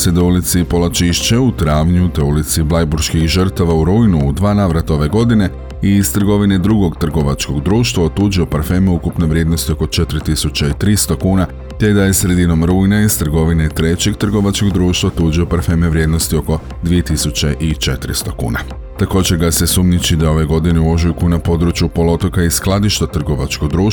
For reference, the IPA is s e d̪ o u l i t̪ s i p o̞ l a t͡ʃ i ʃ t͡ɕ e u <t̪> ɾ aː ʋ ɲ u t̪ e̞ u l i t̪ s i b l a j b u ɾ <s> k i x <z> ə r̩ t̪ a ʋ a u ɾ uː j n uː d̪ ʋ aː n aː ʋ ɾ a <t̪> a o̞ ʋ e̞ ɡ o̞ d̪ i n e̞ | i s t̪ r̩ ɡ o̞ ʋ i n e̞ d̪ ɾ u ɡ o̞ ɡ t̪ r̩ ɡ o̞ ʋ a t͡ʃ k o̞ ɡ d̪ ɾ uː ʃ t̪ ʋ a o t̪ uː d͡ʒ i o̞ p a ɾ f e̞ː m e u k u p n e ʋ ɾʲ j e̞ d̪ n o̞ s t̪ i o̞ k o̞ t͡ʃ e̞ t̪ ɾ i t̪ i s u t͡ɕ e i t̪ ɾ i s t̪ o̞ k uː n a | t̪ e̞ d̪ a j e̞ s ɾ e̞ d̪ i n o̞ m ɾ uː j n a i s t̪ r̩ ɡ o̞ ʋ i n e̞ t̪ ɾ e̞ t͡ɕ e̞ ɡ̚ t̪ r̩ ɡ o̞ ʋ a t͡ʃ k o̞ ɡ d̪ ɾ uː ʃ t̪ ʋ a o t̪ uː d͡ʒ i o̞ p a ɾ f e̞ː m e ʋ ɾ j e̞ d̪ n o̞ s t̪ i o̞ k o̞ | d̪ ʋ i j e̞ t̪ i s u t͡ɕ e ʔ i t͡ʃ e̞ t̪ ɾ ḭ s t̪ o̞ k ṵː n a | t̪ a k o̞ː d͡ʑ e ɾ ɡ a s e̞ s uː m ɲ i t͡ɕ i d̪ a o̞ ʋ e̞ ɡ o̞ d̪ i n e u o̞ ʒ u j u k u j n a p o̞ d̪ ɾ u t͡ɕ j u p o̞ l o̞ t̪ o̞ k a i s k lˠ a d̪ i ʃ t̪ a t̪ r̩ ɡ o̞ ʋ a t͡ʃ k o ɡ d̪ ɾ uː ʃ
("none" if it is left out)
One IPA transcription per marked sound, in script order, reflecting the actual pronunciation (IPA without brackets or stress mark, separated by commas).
t̪, ʃ, ʒ, t̪